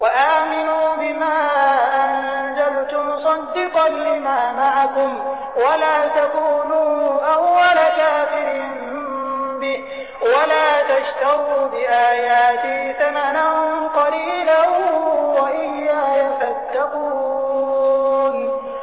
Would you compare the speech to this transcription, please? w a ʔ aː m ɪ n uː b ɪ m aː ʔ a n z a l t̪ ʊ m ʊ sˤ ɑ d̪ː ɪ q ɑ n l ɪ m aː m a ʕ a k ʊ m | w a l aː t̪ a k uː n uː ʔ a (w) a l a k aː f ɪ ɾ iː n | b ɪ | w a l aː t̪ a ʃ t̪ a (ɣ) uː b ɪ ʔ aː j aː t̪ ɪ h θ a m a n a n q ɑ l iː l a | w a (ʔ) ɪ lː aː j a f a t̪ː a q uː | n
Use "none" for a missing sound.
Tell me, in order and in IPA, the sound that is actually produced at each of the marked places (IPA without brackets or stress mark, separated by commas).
wː, ɣ, ʔ